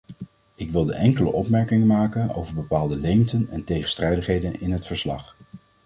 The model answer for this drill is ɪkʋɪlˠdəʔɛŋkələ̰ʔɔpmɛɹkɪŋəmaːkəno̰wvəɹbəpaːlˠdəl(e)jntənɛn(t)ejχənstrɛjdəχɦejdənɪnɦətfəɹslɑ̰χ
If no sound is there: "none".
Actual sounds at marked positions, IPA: e, t

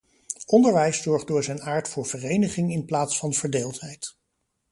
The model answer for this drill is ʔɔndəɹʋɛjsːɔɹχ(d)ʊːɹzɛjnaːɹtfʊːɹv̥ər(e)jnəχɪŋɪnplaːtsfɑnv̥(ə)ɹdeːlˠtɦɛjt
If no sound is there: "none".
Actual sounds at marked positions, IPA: d, e, ə

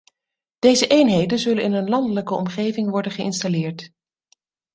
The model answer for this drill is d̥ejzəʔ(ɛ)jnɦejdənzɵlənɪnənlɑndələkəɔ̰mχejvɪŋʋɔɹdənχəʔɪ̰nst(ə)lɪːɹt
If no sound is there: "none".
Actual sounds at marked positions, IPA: e, a

